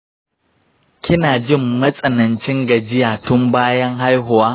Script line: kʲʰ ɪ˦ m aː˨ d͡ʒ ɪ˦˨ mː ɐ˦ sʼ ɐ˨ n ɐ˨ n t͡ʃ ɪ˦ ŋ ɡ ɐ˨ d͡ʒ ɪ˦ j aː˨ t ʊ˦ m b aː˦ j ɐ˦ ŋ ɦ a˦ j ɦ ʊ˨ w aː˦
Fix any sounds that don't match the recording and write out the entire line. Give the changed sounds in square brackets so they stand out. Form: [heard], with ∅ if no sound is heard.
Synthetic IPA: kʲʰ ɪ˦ [n] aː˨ d͡ʒ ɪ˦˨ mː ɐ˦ sʼ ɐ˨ n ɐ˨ n t͡ʃ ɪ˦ ŋ ɡ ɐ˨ d͡ʒ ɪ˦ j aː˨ t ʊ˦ m b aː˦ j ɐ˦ ŋ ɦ a˦ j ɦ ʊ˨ w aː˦

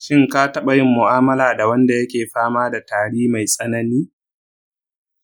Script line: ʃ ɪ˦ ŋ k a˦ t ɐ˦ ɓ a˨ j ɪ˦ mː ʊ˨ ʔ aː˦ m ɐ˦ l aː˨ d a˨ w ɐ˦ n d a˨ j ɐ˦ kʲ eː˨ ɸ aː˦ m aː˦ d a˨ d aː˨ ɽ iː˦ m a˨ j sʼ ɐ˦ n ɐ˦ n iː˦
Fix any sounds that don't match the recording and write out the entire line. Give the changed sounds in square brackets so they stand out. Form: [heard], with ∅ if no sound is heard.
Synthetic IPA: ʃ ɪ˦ ŋ k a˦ t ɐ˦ ɓ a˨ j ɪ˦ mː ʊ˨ ʔ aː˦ m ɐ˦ l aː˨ d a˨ w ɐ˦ n d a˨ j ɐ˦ kʲ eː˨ ɸ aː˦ m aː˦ d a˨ [t] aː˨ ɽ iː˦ m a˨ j sʼ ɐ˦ n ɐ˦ n iː˦

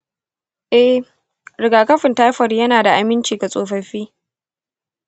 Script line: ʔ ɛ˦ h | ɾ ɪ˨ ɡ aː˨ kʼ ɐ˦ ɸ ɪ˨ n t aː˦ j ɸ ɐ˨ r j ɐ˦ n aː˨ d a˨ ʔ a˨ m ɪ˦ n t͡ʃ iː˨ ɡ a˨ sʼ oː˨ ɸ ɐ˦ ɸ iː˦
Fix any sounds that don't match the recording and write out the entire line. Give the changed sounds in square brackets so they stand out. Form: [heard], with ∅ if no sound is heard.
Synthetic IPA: ʔ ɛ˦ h | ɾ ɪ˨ ɡ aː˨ [k] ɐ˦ ɸ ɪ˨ n t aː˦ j ɸ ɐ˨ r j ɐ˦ n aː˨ d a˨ ʔ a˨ m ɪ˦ n t͡ʃ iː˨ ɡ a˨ sʼ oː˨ ɸ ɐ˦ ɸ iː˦

